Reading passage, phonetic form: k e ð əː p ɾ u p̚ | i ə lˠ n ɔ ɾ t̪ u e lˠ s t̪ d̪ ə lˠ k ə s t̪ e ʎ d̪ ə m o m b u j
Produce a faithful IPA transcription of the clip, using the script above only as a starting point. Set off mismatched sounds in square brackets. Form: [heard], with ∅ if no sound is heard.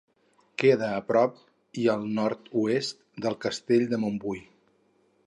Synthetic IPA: k e ð əː p ɾ [ɔ] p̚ | i ə lˠ n ɔ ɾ t̪ u e [∅] s t̪ d̪ ə lˠ k ə s t̪ e ʎ d̪ ə m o m b u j

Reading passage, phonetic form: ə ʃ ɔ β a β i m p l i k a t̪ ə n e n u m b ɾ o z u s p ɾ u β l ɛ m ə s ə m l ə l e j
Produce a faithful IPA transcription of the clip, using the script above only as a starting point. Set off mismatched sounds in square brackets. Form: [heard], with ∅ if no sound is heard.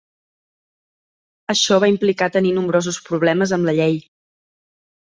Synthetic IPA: ə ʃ ɔ β a [∅] i m p l i k a t̪ ə n [i] n u m b ɾ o z u s p ɾ u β l ɛ m ə [z] ə m l ə [ʎ] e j

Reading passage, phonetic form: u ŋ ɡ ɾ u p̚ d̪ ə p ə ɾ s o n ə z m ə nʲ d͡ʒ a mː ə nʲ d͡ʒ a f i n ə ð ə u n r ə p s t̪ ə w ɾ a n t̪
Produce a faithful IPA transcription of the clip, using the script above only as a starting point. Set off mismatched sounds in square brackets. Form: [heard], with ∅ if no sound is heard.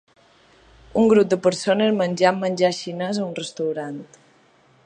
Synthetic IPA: u ŋ ɡ ɾ u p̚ d̪ ə p ə ɾ s o n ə z m ə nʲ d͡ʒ a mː ə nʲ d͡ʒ a [ʃ] i n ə [z] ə u n r ə [∅] s t̪ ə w ɾ a n t̪

